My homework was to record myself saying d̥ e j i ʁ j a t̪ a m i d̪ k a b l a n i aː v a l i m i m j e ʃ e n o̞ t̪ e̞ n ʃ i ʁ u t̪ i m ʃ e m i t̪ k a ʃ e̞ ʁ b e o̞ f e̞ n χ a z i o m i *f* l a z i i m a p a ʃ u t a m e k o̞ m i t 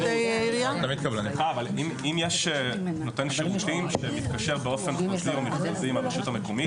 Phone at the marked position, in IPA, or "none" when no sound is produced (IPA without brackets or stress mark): χ